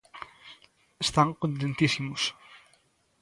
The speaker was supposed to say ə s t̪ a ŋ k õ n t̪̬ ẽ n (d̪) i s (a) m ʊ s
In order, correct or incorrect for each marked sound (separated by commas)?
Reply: incorrect, incorrect